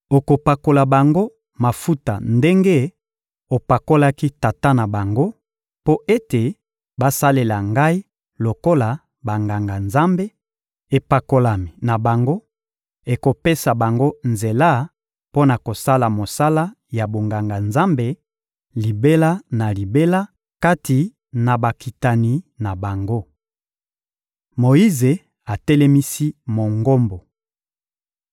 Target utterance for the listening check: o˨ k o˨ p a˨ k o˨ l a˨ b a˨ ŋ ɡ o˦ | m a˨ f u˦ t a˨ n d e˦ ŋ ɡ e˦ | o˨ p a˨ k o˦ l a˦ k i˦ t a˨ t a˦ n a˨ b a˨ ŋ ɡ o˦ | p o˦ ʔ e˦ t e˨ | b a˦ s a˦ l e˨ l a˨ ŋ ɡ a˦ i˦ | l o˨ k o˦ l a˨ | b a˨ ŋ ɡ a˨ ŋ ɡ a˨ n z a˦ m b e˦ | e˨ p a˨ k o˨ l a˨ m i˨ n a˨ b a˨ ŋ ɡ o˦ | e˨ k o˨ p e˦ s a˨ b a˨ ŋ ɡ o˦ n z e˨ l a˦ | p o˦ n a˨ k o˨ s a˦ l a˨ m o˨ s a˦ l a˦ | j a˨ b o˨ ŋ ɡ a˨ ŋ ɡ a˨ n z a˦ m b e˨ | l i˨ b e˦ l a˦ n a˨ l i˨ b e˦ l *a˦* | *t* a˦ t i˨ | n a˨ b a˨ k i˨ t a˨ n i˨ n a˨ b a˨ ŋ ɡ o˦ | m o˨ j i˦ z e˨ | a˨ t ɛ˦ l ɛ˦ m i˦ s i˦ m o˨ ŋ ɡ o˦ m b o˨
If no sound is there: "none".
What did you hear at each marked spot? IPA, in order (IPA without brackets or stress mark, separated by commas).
a˦, k